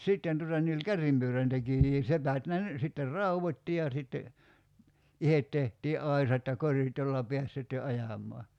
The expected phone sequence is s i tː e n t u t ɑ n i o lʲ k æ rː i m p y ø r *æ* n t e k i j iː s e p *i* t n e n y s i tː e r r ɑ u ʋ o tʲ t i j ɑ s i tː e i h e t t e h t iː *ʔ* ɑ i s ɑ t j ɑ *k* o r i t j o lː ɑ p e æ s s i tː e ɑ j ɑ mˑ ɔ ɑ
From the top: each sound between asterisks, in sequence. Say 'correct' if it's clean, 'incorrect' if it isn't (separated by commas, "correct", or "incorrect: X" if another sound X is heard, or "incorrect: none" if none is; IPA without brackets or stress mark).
correct, incorrect: æ, correct, correct